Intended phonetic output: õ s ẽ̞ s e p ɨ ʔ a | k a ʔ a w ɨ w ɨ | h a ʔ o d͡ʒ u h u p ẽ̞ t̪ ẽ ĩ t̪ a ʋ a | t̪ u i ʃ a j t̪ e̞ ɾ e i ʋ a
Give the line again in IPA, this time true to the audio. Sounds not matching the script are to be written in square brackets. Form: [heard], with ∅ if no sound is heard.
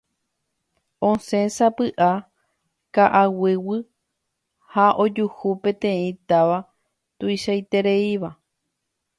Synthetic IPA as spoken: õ s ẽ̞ s [a] p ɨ ʔ a | k a ʔ a w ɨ w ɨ | h a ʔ o d͡ʒ u h u p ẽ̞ t̪ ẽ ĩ t̪ a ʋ a | t̪ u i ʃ a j t̪ e̞ ɾ e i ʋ a